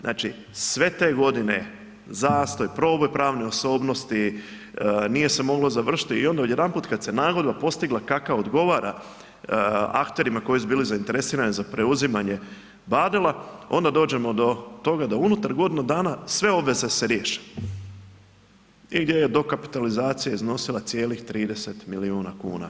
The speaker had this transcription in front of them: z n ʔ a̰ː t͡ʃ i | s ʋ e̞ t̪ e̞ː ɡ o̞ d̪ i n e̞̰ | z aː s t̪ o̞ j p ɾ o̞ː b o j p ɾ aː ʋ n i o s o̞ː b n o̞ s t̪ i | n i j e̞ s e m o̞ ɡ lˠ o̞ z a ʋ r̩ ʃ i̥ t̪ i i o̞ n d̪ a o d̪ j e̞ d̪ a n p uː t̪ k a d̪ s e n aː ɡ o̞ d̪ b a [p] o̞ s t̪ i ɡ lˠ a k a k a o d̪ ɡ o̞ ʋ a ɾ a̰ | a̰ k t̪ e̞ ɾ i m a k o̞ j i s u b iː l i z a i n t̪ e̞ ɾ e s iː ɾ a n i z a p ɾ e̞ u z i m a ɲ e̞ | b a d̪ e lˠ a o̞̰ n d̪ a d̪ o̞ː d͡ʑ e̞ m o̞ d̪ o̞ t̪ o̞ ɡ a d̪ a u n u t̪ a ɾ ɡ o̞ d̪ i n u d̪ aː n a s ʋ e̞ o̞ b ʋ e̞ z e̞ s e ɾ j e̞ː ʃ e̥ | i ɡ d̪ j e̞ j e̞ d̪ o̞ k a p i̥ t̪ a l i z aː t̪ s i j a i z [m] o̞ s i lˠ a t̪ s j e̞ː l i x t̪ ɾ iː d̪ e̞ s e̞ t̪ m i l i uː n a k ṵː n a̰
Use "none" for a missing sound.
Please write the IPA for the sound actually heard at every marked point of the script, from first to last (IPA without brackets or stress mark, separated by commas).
p, n